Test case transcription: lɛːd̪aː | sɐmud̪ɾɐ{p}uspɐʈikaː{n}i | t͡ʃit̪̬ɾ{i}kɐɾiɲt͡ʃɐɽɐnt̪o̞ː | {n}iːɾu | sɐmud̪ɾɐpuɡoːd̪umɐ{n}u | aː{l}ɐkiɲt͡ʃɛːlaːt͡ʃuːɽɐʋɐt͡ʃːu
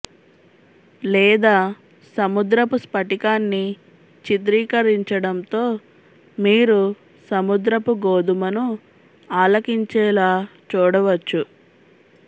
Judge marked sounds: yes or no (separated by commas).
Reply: yes, no, no, no, yes, yes